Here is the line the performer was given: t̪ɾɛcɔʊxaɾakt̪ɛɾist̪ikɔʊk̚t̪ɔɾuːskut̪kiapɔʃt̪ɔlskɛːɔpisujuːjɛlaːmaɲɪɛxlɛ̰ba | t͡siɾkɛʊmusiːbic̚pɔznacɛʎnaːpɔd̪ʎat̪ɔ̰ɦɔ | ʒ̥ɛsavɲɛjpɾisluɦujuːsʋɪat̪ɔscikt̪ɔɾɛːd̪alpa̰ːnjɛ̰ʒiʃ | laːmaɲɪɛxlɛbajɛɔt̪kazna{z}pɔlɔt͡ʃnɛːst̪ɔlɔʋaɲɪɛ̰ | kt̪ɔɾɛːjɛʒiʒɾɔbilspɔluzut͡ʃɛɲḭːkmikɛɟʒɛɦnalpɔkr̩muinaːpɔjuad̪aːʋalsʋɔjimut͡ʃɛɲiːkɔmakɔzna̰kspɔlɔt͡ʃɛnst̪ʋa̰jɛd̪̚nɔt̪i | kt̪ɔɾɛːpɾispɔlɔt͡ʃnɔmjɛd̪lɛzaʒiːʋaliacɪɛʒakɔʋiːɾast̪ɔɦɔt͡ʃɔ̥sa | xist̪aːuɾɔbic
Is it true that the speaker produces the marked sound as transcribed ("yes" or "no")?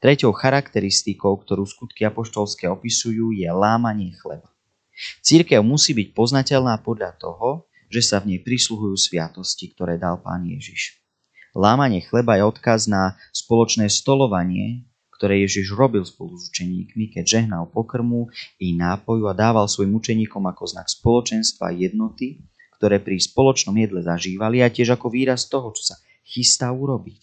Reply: no